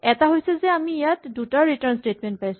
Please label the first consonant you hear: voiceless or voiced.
voiceless